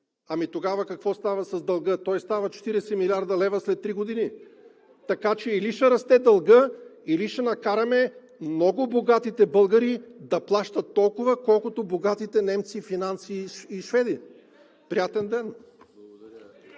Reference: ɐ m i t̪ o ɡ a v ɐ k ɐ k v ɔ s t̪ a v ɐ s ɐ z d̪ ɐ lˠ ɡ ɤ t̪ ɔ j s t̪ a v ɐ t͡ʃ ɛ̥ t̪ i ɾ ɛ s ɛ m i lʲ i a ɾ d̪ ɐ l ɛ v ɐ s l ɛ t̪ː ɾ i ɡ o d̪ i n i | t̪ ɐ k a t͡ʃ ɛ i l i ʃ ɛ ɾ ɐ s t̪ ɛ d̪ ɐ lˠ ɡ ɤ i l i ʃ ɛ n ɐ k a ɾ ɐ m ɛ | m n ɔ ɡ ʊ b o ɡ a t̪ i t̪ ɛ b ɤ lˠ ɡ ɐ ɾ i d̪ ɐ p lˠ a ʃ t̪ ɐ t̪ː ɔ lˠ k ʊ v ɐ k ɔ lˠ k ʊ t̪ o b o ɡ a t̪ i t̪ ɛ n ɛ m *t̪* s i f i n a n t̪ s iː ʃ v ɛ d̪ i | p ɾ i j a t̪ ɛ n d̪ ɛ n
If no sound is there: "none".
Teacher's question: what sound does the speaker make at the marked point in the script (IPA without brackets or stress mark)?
t̪